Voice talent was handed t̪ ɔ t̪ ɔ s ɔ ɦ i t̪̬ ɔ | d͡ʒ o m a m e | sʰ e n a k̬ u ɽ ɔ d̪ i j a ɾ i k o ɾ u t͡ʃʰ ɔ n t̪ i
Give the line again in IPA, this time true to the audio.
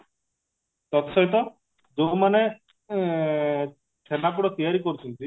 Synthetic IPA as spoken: t̪ ɔ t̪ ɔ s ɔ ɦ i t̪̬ ɔ | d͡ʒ o m a n e | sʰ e n a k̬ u ɽ ɔ t̪ i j a ɾ i k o ɾ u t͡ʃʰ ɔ n t̪ i